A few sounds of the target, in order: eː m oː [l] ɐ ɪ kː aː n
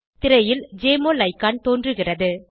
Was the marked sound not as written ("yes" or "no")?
no